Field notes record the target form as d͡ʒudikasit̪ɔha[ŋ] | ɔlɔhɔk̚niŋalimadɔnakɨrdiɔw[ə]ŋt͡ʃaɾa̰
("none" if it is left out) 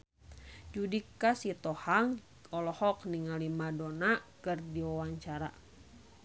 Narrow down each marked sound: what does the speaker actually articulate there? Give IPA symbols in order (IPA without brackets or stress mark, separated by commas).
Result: ŋ, a